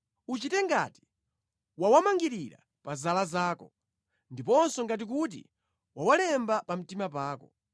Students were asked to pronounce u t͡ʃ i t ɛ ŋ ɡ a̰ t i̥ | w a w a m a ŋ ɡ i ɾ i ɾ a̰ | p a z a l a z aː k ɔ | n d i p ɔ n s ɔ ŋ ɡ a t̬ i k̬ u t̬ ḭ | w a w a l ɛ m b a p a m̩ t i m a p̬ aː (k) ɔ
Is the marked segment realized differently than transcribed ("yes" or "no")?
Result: no